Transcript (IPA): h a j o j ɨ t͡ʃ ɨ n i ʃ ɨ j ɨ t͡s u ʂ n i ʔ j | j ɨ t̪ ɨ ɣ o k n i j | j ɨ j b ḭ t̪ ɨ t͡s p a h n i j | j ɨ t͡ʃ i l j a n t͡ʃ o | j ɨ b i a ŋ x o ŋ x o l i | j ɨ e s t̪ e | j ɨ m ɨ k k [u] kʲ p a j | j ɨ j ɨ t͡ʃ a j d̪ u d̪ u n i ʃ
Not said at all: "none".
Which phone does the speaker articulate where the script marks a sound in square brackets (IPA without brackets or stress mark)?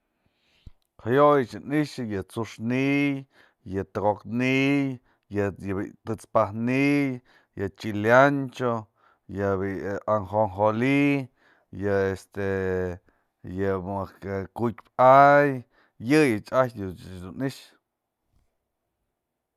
u